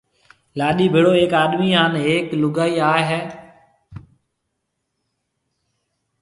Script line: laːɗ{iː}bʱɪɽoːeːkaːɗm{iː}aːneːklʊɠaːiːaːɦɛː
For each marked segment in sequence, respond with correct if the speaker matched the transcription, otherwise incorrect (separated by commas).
correct, correct